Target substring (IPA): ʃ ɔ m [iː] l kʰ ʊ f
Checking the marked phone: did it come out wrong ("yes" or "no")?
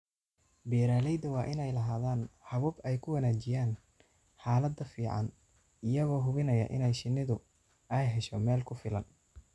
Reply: yes